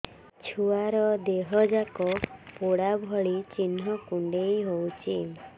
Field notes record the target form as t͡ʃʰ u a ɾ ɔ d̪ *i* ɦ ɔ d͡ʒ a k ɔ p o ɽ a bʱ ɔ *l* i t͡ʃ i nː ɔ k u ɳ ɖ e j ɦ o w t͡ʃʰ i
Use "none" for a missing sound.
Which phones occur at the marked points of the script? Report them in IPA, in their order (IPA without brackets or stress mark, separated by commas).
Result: e, ɭ